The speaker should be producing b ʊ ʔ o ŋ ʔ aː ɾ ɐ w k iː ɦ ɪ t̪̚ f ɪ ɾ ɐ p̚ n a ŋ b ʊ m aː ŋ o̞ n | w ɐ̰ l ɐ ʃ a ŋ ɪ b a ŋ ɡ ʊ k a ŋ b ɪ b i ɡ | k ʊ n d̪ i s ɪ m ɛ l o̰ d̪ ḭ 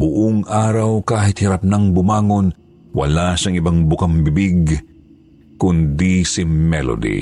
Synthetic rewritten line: b ʊ ʔ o ŋ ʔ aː ɾ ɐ w k aː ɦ ɪ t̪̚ h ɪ ɾ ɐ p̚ n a ŋ b ʊ m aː ŋ o̞ n | w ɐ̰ l a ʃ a ŋ ɪ b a ŋ b ʊ k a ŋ b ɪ b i ɡ | k ʊ n d̪ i s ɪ m ɛ l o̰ d̪ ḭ